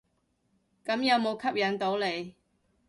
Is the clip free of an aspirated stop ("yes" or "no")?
no